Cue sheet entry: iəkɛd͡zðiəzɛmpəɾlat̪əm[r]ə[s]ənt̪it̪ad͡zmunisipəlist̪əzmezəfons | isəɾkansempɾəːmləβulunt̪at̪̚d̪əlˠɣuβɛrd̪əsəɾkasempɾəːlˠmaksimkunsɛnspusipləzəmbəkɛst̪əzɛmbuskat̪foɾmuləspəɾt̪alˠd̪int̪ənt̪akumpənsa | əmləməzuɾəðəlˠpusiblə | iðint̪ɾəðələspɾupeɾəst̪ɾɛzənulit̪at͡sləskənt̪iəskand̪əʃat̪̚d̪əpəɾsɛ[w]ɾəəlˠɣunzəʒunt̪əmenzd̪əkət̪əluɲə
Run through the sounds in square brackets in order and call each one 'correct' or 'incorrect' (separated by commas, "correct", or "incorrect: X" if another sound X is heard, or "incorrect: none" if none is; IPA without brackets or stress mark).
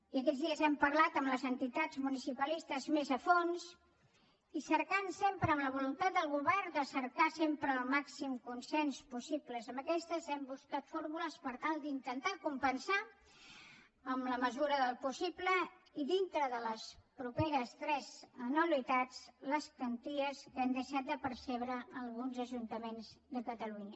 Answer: incorrect: l, incorrect: z, incorrect: β